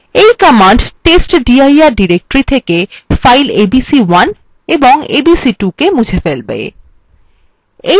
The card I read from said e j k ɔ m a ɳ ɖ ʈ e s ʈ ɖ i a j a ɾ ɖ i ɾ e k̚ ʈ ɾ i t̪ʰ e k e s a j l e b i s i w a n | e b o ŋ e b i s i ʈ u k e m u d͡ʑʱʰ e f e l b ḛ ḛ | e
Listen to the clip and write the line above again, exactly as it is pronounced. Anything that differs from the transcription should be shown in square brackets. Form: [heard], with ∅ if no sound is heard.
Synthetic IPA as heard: e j k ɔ m a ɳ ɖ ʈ e s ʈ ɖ i a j a ɾ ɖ i ɾ e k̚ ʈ ɾ i t̪ʰ e k e [f] a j l e b i s i w a n | e b o ŋ e b i s i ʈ u k e m u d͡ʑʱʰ e f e l b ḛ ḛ | e